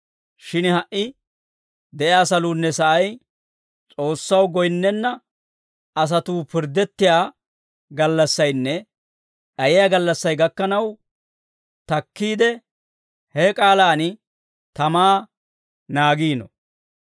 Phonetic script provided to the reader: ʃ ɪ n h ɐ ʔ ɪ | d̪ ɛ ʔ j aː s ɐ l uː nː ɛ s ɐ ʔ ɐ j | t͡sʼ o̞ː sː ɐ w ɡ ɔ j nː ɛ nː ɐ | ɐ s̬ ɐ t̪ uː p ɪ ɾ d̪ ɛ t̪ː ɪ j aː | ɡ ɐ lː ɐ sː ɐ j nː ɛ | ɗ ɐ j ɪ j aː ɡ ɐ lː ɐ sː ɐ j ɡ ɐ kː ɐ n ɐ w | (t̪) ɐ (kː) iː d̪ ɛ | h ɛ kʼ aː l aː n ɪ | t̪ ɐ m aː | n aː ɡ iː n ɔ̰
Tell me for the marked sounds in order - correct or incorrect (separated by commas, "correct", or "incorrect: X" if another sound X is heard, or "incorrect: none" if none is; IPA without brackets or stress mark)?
correct, correct